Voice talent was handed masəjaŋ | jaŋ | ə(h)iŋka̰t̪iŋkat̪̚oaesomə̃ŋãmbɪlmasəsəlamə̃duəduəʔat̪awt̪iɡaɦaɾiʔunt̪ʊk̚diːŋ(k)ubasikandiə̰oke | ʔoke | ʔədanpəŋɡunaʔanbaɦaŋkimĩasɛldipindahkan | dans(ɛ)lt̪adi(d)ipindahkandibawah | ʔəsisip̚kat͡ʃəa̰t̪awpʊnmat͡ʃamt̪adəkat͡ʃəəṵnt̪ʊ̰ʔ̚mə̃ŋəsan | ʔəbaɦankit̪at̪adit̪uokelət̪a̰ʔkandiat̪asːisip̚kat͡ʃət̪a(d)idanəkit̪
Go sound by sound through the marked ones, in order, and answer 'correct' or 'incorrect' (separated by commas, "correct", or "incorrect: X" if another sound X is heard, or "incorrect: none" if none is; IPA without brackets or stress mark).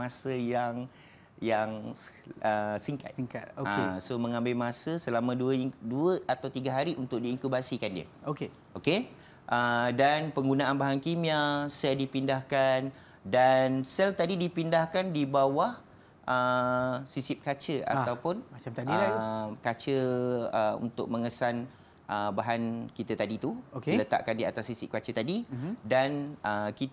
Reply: incorrect: s, correct, correct, correct, correct